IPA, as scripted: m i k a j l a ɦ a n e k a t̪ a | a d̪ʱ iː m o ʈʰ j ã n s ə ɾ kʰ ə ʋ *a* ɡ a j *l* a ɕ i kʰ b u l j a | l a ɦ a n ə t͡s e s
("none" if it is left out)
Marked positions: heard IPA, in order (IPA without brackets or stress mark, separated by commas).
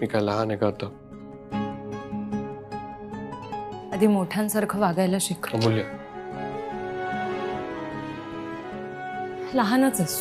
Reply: a, l